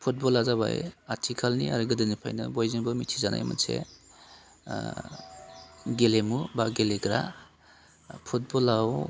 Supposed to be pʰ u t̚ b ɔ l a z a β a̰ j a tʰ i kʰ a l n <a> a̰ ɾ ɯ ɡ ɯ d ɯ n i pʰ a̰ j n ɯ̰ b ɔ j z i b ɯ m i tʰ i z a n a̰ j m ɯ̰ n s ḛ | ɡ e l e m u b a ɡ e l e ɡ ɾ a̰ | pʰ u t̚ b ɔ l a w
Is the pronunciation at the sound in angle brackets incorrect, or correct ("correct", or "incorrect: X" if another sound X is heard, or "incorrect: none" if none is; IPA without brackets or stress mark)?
incorrect: i